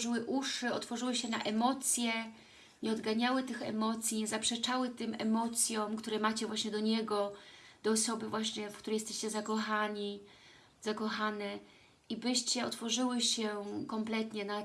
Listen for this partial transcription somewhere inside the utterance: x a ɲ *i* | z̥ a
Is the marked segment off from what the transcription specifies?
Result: no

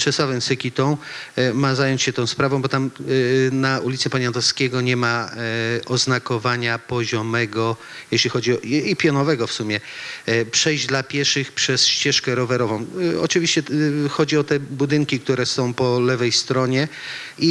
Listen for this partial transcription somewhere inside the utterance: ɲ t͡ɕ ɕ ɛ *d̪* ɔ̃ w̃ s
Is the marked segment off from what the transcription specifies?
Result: yes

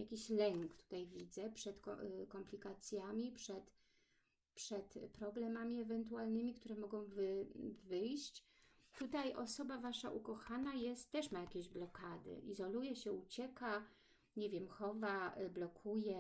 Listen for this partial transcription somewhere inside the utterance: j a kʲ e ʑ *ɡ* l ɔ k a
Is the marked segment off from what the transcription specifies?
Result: yes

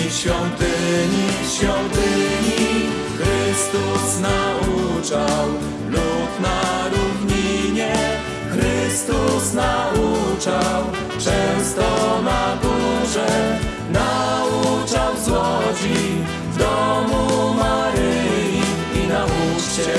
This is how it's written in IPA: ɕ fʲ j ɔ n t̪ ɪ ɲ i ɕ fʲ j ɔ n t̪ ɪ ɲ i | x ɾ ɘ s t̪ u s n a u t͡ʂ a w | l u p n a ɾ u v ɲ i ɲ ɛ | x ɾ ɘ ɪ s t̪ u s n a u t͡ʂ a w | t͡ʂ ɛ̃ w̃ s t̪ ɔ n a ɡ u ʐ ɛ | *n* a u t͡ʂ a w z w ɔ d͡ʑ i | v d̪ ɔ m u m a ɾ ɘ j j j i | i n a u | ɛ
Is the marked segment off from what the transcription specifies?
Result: no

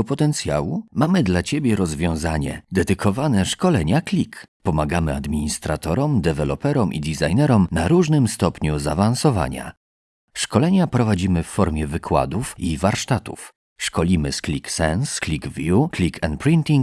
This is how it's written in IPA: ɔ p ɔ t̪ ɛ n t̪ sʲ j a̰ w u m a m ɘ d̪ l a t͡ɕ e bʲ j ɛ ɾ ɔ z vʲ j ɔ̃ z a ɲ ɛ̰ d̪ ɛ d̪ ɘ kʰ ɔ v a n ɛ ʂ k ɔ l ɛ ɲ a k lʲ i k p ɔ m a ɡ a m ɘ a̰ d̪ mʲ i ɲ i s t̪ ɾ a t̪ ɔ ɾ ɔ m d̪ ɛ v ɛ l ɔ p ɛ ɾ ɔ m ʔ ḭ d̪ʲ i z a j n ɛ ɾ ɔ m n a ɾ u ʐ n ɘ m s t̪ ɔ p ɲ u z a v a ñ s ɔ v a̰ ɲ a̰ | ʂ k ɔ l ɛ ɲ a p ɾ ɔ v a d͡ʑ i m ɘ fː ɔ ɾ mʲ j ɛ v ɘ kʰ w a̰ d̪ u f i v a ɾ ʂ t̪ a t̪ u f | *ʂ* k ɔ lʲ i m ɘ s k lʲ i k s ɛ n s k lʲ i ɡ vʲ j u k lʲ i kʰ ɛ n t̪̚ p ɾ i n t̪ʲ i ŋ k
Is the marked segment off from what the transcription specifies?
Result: no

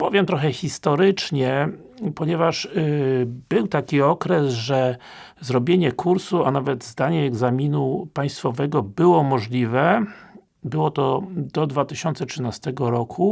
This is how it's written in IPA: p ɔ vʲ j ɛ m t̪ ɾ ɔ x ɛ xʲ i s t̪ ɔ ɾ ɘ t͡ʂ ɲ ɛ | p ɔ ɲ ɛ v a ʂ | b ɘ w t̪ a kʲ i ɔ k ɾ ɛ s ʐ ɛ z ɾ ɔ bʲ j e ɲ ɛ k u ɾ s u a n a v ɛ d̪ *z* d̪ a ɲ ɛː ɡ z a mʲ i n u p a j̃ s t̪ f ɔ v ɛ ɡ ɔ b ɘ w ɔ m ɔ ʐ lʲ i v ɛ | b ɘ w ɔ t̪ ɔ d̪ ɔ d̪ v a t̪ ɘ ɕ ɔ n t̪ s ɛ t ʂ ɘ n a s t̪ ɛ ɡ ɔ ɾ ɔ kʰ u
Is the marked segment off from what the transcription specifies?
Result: no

